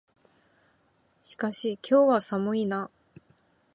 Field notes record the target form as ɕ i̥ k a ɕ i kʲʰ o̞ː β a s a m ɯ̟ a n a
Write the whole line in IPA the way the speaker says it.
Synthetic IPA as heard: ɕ i̥ k a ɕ i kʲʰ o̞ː β a s a m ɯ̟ i n a